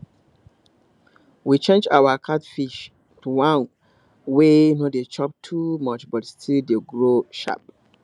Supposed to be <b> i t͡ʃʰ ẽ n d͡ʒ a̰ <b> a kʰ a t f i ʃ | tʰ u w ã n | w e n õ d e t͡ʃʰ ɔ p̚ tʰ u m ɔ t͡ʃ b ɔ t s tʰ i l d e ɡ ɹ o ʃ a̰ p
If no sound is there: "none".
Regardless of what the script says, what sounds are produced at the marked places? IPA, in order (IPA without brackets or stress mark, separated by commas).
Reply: w, w